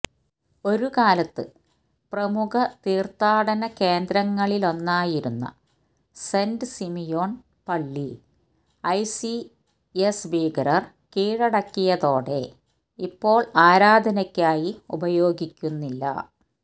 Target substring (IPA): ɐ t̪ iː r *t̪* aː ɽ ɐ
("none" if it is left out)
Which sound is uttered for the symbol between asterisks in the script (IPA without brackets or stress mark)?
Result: t̪